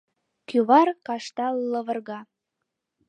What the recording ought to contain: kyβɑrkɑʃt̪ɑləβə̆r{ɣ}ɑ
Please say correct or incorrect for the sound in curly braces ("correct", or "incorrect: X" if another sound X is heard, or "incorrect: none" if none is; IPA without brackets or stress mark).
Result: correct